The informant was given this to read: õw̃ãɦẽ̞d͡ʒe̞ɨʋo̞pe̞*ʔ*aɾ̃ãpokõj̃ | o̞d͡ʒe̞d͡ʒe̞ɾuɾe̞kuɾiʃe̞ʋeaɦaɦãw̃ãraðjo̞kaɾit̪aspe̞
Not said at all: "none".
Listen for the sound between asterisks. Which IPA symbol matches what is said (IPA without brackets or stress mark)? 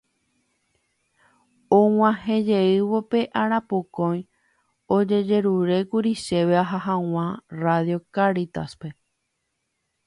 ʔ